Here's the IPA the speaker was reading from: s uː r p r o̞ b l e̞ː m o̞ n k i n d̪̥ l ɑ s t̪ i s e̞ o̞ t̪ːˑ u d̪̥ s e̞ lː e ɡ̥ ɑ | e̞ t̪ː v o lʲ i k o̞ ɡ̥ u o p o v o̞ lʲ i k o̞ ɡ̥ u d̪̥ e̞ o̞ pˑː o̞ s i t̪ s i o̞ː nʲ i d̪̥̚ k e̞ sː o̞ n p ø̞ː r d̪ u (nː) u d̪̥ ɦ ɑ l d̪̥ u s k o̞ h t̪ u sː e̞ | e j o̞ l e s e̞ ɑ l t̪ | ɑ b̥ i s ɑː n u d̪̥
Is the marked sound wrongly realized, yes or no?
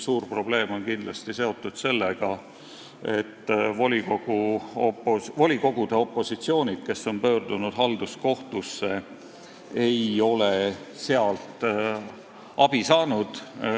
yes